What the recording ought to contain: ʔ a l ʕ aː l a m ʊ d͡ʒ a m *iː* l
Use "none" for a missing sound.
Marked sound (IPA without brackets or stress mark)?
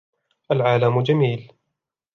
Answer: iː